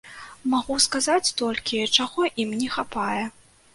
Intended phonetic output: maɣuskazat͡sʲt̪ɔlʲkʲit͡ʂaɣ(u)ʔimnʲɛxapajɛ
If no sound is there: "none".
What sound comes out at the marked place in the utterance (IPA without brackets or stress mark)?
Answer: ɔ